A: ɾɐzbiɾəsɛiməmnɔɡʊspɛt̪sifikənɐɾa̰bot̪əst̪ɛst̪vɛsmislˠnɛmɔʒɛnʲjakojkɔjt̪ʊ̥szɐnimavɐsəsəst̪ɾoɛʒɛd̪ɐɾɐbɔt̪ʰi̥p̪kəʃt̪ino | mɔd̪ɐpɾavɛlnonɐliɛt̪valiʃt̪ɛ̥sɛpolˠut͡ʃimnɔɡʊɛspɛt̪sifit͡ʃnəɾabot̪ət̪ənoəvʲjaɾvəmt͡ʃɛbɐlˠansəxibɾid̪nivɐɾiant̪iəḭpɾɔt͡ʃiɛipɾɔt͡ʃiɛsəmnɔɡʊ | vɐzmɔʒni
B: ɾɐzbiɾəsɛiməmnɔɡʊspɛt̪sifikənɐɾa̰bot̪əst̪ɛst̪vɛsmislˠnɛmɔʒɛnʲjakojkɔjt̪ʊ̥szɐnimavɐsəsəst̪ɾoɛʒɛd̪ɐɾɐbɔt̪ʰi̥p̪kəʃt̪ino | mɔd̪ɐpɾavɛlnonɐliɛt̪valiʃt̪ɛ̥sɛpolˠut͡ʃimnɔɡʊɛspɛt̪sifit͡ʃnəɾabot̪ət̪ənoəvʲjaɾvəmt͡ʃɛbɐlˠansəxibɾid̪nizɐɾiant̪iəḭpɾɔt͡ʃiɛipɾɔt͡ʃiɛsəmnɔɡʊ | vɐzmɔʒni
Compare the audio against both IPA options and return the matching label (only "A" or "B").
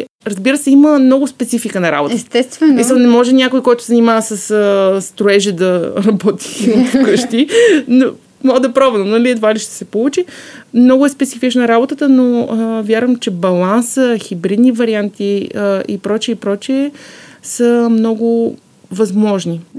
A